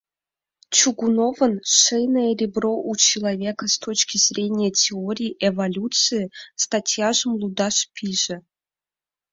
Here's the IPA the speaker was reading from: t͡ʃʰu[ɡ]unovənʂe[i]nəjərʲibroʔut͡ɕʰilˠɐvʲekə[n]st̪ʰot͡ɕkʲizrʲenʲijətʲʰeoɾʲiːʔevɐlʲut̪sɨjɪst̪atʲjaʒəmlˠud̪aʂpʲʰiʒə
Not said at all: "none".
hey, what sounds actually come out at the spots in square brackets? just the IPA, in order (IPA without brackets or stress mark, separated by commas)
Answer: ɡ, j, none